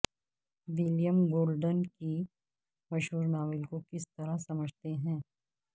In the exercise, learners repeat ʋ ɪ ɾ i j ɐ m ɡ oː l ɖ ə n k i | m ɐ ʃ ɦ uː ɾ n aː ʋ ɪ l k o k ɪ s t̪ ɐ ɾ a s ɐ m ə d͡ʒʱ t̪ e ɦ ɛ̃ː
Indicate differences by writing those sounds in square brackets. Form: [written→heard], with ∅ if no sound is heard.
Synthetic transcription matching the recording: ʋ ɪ [ɾ→l] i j [ɐ→ə] m ɡ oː l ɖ ə n k i | m ɐ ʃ ɦ uː ɾ n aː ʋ ɪ l k o k ɪ s t̪ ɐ ɾ a s ɐ m ə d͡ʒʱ t̪ e ɦ ɛ̃ː